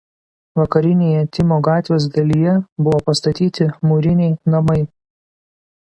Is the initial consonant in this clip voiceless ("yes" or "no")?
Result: no